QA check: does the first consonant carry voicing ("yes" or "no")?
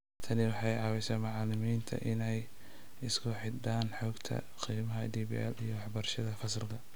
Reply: no